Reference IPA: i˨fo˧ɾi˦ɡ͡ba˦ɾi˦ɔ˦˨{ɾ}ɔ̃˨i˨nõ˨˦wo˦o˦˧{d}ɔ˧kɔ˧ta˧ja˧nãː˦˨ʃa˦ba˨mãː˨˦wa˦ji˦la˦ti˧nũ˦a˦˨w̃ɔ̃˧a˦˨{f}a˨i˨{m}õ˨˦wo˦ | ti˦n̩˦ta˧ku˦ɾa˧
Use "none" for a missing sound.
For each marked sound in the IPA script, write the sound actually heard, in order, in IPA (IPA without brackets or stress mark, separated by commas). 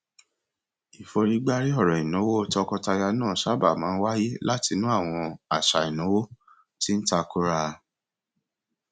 ɾ, t, ʃ, n